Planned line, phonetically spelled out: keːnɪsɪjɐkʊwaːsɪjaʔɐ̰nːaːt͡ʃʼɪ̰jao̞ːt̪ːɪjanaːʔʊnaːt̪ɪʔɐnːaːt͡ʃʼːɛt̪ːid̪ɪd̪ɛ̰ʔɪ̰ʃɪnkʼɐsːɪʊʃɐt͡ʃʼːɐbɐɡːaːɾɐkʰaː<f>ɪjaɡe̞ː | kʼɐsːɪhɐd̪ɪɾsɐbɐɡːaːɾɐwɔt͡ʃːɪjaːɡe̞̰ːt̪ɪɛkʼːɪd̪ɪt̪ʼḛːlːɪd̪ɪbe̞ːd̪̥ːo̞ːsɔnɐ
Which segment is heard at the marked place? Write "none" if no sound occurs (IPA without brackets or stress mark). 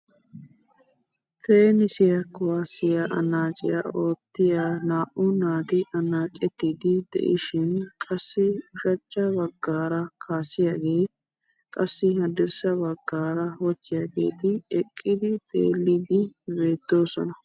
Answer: s